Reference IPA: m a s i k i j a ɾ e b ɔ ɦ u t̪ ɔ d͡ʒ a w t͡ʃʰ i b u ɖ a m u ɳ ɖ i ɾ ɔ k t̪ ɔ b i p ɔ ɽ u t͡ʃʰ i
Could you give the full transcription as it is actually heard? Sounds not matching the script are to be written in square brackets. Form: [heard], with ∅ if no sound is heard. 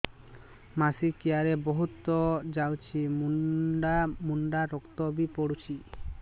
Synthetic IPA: m a s i k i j a ɾ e b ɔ ɦ u t̪ ɔ d͡ʒ a w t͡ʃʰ i [m] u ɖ a m u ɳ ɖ [a] ɾ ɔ k t̪ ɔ b i p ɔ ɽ u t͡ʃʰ i